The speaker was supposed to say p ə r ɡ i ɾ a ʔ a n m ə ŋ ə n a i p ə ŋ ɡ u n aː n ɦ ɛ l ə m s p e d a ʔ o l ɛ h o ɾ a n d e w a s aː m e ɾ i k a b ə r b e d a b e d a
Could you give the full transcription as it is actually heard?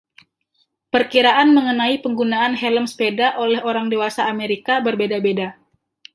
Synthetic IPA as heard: p ə r k i ɾ a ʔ a n m ə ŋ ə n a i p ə ŋ ɡ u n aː n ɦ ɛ l ə m s p e d a ʔ o l ɛ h o ɾ a ŋ d e w a s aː m e ɾ i k a b ə r b e d a b e d a